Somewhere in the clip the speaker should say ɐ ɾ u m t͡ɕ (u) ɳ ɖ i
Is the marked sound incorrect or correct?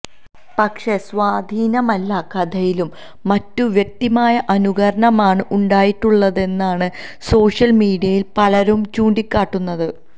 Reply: incorrect